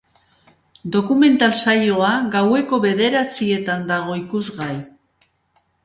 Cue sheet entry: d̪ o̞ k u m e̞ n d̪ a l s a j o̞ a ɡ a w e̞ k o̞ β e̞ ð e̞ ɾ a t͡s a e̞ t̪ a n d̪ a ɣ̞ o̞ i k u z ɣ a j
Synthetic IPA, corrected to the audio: d̪ o̞ k u m e̞ n t̪ a l s a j o̞ a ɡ a w e̞ k o̞ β e̞ ð e̞ ɾ a t͡s i e̞ t̪ a n d̪ a ɣ̞ o̞ i k u z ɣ a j